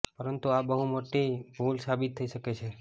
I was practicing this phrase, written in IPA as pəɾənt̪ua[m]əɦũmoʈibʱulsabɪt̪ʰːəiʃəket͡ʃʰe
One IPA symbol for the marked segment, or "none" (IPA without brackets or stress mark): b